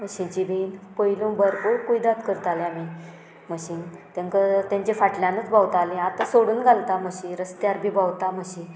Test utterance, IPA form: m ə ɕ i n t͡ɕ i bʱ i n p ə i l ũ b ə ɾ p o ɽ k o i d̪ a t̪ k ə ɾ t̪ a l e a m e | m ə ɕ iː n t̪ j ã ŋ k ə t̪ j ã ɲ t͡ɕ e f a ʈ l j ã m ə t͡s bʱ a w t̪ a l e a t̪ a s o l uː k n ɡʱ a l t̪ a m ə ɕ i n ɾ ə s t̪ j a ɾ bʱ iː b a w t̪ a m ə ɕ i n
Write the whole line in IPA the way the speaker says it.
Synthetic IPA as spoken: m ə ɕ i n t͡ɕ i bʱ i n p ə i l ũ b ə ɾ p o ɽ k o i d̪ a t̪ k ə ɾ t̪ a l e a m i | m ə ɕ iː n t̪ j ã ŋ k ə t̪ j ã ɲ t͡ɕ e f a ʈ l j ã n ə t͡s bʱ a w t̪ a l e a t̪ a s o ɽ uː n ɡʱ a l t̪ a m ə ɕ i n ɾ ə s t̪ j a ɾ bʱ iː b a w t̪ a m ə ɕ i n